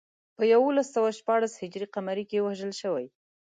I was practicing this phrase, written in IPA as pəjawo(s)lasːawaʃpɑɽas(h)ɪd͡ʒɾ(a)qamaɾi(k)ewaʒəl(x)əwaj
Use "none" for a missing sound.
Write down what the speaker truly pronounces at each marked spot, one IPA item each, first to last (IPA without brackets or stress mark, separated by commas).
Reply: none, h, i, k, ʃ